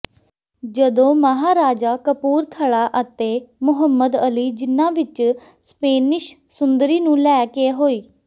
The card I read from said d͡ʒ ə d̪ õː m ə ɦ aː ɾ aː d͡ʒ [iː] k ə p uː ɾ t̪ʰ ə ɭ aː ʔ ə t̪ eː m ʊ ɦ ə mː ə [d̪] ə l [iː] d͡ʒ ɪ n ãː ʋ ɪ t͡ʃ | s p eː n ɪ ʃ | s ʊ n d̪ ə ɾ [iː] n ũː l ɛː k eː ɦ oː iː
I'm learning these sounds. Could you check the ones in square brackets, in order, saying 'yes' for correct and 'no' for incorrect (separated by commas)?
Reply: no, yes, yes, yes